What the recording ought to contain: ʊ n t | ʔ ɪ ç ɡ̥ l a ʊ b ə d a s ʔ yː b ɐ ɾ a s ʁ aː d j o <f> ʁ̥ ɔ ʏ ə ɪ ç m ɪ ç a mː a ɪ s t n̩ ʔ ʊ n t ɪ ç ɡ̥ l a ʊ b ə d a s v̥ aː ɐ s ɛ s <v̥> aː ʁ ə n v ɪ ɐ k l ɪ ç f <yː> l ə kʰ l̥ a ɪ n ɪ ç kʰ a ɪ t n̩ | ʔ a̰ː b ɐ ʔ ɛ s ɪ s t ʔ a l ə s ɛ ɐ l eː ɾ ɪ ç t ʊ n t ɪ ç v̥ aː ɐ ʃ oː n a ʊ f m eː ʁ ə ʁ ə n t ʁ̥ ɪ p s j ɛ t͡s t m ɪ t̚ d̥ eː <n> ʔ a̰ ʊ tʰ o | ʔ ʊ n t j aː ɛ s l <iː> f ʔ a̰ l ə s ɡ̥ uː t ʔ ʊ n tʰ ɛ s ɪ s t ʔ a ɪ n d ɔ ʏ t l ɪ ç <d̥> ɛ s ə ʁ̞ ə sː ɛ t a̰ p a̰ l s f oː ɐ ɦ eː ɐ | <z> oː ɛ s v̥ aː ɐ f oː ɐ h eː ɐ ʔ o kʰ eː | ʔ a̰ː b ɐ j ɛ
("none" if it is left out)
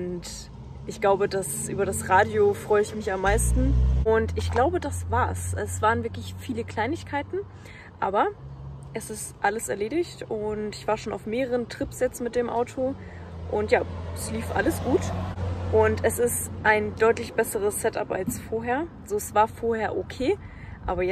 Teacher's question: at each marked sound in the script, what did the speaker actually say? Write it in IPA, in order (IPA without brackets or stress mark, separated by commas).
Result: f, v̥, iː, m, iː, b̥, z